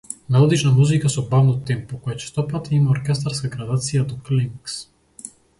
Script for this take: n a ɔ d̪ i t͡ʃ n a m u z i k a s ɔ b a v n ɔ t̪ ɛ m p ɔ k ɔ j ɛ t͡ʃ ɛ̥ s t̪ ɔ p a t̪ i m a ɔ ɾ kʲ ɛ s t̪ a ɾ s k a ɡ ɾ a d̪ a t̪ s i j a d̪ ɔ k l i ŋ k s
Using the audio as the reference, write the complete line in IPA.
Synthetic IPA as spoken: n a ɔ d̪ i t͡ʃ n a m u z i k a s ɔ b a v n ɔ t̪ ɛ m p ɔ k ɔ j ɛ t͡ʃ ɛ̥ s t̪ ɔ p a t̪ i m a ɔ ɾ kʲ ɛ s t̪ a ɾ s k a ɡ ɾ a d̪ a t̪ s i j a d̪ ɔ k l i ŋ k s

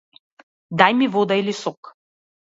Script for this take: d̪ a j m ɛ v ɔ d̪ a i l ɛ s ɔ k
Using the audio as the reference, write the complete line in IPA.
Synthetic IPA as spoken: d̪ a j m i v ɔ d̪ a i l i s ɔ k

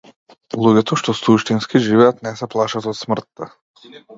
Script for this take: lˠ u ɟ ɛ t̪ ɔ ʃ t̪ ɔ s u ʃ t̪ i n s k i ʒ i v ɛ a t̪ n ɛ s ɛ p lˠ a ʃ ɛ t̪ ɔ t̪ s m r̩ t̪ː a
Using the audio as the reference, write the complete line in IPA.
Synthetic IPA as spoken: lˠ u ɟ ɛ t̪ ɔ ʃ t̪ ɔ s u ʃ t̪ i n s k i ʒ i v ɛ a t̪ n ɛ s ɛ p lˠ a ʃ a t̪ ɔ t̪ s m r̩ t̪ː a

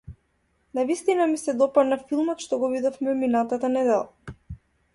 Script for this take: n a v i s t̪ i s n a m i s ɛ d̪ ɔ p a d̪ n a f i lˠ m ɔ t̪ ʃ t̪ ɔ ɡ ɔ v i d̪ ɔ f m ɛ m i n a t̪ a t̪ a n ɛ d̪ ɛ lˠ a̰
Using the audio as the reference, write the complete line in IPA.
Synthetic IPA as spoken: n a v i s t̪ i n a m i s ɛ d̪ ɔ p a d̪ n a f i lˠ m ɔ t̪ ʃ t̪ ɔ ɡ ɔ v i d̪ ɔ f m ɛ m i n a t̪ a t̪ a n ɛ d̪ ɛ lˠ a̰

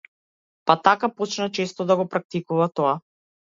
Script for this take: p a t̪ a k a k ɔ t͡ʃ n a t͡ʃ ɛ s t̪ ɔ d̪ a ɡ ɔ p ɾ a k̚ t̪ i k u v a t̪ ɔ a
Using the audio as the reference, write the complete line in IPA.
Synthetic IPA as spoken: p a t̪ a k a p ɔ t͡ʃ n a t͡ʃ ɛ s t̪ ɔ d̪ a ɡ ɔ p ɾ a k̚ t̪ i k u v a t̪ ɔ a

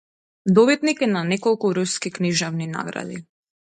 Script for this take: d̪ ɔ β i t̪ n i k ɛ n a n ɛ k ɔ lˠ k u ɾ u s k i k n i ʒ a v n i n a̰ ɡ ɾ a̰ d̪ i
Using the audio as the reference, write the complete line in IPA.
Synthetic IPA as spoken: d̪ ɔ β i t̪ n i k ɛ n a n ɛ k ɔ lˠ k u ɾ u s k i k n i ʒ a v n i n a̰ ɡ ɾ a̰ d̪ i

